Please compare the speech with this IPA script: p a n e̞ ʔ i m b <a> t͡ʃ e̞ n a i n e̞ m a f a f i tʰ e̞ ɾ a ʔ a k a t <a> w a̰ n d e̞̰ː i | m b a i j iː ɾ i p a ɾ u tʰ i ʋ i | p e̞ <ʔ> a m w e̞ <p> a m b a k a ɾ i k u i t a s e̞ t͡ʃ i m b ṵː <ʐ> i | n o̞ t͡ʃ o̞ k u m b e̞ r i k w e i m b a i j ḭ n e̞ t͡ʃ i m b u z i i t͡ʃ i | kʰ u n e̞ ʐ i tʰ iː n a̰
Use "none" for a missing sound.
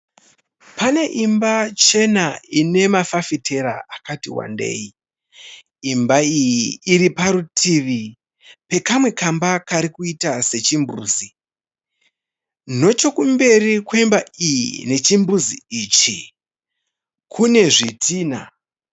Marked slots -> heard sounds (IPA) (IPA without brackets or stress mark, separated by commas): a, i, k, k, z